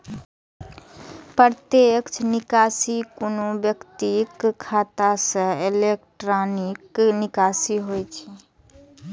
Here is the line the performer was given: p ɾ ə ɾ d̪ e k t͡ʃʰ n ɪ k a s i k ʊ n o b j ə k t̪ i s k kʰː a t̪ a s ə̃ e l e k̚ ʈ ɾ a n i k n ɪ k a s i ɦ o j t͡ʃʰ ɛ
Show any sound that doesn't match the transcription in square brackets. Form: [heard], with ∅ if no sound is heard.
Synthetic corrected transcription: p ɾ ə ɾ [t̪] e k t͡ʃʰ n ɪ k a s i k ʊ n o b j ə k t̪ i [∅] k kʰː a t̪ a s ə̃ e l e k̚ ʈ ɾ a n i k n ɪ k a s i ɦ o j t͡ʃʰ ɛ